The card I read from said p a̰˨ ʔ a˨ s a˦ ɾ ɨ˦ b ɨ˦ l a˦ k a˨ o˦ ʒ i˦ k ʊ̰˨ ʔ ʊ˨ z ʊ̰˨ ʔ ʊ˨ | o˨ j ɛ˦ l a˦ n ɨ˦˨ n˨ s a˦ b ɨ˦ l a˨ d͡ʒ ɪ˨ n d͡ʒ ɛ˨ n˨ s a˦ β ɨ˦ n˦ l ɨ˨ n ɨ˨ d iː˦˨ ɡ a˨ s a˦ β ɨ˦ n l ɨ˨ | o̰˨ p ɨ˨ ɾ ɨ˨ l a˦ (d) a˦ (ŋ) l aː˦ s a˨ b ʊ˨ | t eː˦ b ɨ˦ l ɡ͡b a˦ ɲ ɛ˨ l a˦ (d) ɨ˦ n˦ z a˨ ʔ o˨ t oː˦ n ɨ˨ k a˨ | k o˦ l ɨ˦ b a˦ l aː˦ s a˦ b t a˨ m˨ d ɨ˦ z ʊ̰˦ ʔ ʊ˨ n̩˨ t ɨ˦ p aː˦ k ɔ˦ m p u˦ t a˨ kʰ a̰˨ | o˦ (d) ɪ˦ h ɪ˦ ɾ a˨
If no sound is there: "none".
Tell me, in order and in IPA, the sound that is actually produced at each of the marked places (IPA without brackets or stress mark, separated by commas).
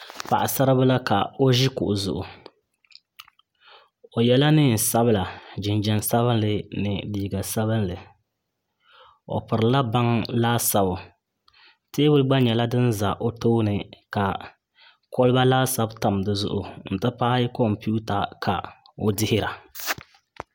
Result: b, ŋ, d, d